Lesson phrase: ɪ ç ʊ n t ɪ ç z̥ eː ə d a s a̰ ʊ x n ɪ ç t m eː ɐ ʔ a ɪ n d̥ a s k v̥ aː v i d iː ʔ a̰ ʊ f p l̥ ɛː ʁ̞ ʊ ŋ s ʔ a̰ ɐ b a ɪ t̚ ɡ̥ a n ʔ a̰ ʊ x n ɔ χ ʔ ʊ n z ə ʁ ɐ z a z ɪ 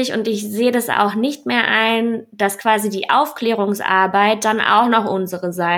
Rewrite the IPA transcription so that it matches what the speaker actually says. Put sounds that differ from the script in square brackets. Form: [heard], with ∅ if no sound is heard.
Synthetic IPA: ɪ ç ʊ n t ɪ ç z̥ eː ə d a s a̰ ʊ x n ɪ ç t m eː ɐ ʔ a ɪ n d̥ a s k v̥ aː [z] i d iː ʔ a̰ ʊ f [k] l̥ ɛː ʁ̞ ʊ ŋ s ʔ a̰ ɐ b a ɪ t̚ [d̥] a n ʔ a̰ ʊ x n ɔ χ ʔ ʊ n z ə ʁ [ə] z a [∅] ɪ